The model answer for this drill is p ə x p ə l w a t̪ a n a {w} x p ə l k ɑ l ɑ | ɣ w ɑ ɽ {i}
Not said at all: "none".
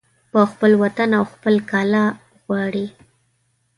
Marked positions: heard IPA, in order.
w, i

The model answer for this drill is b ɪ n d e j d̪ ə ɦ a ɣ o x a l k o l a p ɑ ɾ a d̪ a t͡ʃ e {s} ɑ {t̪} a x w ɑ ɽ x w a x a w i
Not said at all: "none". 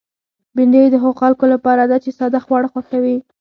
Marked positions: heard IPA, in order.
s, d̪

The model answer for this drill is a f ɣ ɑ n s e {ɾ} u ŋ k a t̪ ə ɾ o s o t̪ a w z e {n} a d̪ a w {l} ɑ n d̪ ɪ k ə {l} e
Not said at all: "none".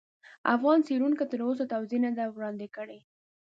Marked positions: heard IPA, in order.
ɾ, n, ɽ, ɽ

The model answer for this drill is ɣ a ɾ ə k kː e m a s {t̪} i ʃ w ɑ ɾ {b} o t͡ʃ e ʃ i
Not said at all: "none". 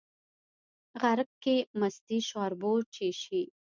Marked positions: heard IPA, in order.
t̪, b

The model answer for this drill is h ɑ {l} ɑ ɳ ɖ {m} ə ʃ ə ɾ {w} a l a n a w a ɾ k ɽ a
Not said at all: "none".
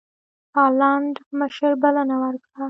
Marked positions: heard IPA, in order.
l, m, b

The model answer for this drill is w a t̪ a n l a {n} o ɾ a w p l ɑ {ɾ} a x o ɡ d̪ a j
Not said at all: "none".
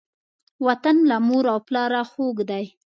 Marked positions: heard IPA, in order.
m, ɾ

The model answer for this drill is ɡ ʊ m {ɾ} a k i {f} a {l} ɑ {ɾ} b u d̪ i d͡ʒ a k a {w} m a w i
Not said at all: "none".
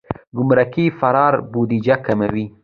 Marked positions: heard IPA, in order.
ɾ, f, ɾ, ɾ, none

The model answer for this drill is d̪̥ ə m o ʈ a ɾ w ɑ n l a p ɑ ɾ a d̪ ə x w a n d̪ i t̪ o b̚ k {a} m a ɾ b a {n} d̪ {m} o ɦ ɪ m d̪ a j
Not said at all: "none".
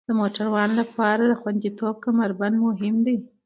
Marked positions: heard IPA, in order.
a, n, m

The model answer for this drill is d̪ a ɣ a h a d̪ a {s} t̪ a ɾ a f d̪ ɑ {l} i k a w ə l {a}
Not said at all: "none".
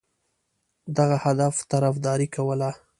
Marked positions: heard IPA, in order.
f, ɾ, a

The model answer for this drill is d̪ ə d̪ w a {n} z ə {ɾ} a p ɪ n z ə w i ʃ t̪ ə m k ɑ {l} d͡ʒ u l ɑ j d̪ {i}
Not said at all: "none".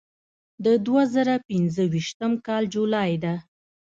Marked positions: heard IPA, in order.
none, ɾ, l, a

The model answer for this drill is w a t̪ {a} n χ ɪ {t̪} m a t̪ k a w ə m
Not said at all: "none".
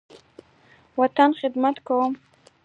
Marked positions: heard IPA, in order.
a, d̪

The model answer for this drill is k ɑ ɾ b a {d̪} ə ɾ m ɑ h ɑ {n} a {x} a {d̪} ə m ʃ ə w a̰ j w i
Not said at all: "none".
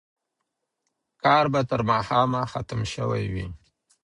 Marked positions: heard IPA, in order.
t̪, m, x, t̪

